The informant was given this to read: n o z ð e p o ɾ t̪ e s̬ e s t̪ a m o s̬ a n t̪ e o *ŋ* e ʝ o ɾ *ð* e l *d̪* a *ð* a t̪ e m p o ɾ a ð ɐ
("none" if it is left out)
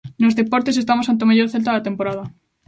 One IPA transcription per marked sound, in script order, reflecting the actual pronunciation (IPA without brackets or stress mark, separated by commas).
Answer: m, θ, t̪, ð